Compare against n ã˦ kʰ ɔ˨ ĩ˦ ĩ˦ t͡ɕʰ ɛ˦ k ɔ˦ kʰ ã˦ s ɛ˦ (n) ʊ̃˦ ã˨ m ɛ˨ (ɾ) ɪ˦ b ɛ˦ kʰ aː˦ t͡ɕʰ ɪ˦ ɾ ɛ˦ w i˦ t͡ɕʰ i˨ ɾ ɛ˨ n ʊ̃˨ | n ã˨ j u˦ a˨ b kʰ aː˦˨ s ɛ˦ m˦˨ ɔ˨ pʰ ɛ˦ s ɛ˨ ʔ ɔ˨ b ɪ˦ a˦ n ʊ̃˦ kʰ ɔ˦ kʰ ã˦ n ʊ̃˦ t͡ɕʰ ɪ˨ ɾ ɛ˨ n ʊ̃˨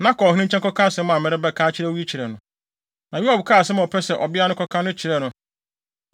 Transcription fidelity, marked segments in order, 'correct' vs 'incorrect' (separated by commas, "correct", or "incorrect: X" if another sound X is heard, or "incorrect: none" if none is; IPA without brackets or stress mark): incorrect: m, correct